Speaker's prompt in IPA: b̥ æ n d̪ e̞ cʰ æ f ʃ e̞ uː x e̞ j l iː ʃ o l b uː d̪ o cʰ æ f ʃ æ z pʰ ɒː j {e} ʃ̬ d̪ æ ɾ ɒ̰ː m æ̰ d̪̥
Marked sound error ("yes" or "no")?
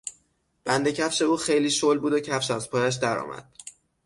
yes